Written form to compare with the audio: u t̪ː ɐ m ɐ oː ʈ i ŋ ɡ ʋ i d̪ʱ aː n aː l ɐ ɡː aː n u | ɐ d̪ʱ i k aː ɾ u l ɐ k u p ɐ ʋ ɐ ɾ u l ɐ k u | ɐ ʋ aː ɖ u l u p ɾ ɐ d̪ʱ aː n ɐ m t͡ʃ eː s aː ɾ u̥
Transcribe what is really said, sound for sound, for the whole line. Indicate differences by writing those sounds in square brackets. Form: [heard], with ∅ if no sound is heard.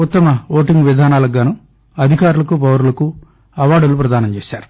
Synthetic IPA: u t̪ː ɐ m ɐ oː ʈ i ŋ ɡ ʋ i d̪ʱ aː n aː l ɐ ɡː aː n u | ɐ d̪ʱ i k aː ɾ u l ɐ k u p ɐ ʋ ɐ ɾ u l ɐ k u | ɐ ʋ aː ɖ u l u p ɾ ɐ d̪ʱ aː n ɐ m t͡ʃ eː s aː ɾ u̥